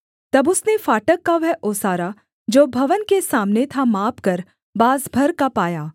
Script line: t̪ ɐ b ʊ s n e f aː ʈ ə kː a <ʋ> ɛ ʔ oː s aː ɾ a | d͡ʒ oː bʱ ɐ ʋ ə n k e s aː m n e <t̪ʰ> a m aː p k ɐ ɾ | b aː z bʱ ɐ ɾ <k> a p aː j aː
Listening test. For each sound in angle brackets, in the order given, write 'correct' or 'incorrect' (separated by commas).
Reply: correct, correct, correct